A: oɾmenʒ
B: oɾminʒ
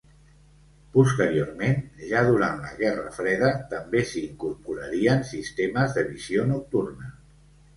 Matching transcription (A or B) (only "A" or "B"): A